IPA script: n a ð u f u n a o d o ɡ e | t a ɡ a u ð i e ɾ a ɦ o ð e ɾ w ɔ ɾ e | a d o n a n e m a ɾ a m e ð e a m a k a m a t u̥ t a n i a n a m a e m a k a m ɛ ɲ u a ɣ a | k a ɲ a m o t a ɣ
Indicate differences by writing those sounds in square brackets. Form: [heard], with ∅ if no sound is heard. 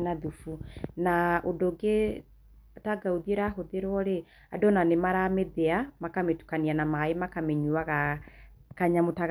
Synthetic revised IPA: n a ð u f u n a o d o ɡ e | t a ɡ a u ð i e ɾ a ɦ o ð e ɾ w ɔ ɾ e | a d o n a n e m a ɾ a m e ð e a m a k a m [e] t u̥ [k] a n i a n a m a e m a k a m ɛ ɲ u a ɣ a | k a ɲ a m o t a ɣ